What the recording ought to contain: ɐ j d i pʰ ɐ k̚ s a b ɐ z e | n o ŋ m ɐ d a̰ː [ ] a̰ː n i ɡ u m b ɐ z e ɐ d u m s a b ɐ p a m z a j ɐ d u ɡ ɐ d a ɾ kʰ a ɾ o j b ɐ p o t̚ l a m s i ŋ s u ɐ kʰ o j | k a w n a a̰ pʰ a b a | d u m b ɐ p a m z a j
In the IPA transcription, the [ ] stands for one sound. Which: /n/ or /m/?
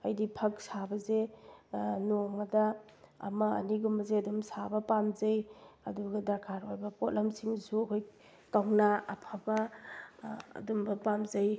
m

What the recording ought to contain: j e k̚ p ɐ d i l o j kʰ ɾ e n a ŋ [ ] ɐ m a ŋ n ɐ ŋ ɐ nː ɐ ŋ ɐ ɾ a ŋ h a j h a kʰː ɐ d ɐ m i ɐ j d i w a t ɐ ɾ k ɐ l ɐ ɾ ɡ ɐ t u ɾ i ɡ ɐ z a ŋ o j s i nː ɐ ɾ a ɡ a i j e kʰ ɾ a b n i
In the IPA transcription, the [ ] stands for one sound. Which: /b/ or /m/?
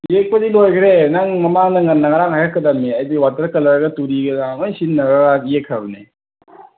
m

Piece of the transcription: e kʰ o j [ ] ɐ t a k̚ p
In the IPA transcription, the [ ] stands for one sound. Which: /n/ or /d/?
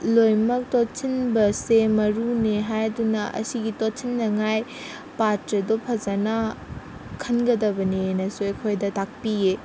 d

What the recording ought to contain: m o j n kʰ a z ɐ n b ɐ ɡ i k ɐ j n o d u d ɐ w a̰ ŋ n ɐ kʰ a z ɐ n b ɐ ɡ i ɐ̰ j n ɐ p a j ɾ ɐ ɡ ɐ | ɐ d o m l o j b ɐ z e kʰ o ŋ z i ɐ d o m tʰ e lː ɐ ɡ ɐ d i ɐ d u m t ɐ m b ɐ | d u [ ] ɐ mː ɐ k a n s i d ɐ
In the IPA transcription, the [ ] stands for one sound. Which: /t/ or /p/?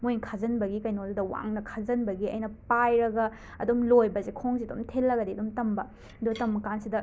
t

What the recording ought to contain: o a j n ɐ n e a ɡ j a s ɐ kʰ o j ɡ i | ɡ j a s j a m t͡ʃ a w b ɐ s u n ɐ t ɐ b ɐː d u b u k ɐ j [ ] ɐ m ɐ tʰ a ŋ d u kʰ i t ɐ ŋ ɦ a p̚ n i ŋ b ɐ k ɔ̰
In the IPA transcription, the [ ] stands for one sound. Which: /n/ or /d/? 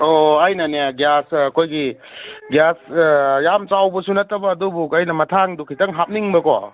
n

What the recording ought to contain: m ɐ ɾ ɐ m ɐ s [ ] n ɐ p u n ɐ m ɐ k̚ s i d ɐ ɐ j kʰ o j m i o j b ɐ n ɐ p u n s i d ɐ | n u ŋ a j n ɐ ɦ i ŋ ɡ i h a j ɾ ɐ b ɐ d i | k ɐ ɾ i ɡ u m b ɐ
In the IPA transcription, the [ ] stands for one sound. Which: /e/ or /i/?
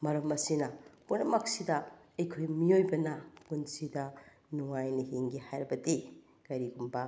i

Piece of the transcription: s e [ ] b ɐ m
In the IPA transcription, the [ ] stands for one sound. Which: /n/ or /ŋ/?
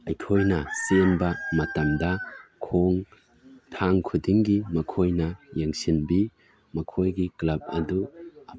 n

